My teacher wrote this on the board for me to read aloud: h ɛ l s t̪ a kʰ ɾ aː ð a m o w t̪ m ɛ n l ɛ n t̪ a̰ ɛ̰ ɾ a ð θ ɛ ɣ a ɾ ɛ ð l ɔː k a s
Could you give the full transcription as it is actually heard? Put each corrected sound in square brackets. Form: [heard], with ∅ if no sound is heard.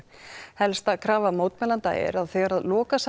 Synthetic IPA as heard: h ɛ l s t̪ a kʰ ɾ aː [v] a m o w t̪ m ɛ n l [a] n t̪ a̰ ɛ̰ ɾ a ð θ ɛ ɣ a ɾ [a] ð l ɔː k a s